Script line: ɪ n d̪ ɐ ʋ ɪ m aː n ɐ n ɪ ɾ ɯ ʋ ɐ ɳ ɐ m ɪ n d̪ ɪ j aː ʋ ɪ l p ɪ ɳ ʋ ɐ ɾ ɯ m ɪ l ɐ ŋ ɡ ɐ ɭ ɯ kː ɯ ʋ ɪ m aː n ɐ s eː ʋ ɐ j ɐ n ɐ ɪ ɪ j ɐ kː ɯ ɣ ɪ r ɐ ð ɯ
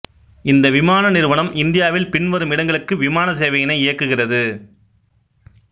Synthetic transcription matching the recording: ɪ n d̪ ɐ ʋ ɪ m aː n ɐ n ɪ ɾ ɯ ʋ ɐ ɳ ɐ m ɪ n d̪ ɪ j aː ʋ ɪ l p ɪ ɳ ʋ ɐ ɾ ɯ m ɪ ɽ ɐ ŋ ɡ ɐ ɭ ɯ kː ɯ ʋ ɪ m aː n ɐ s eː ʋ ɐ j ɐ n ɐ ɪ ɪ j ɐ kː ɯ ɣ ɪ r ɐ ð ɯ